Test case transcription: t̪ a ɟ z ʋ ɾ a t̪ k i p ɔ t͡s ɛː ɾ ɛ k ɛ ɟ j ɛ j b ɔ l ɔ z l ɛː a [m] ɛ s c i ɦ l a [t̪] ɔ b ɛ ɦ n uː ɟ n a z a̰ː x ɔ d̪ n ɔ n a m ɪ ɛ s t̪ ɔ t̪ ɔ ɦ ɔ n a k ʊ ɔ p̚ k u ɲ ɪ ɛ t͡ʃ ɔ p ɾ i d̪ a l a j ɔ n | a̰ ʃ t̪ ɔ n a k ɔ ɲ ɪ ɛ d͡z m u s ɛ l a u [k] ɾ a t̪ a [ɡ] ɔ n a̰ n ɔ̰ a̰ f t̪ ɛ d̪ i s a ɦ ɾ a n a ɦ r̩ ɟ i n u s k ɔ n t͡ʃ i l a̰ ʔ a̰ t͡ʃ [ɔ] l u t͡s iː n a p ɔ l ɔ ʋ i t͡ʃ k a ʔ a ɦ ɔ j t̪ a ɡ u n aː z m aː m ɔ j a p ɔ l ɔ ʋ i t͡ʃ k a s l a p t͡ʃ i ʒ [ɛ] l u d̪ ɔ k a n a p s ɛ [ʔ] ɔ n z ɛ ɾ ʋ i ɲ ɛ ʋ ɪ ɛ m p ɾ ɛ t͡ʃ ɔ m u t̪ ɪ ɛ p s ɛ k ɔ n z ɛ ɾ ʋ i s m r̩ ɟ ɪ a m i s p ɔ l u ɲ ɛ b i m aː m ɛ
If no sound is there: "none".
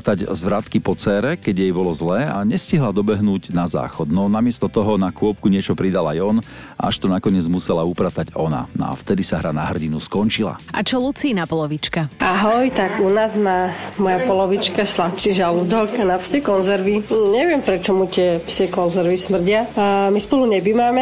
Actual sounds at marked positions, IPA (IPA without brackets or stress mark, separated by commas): ɲ, d̪, p, ɟ, ɔ, a, k